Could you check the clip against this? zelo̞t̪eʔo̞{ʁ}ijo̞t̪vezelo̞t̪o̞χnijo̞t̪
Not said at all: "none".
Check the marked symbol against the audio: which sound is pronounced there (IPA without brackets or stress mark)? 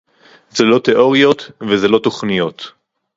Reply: ʁ